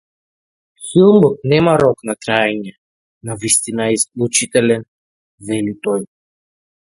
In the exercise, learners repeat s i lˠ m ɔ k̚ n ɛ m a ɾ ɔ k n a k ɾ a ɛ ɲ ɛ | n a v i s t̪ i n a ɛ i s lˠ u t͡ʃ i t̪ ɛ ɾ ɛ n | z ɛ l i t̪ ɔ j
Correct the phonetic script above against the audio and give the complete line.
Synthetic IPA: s i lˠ m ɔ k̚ n ɛ m a ɾ ɔ k n a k ɾ a ɛ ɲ ɛ | n a v i s t̪ i n a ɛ i s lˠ u t͡ʃ i t̪ ɛ l ɛ n | v ɛ l i t̪ ɔ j